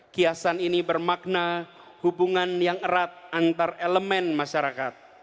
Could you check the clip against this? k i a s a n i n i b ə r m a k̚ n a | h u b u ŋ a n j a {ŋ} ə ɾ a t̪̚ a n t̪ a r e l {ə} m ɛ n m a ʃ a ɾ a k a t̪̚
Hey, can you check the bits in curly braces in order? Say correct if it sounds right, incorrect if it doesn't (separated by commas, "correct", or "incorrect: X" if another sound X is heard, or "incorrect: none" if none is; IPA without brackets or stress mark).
correct, correct